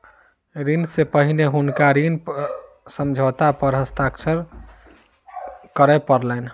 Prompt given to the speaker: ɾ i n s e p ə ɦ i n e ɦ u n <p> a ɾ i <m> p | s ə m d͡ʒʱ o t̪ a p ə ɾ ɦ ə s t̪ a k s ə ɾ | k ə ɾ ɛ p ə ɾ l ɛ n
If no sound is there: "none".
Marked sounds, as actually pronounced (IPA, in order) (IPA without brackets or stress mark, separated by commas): k, n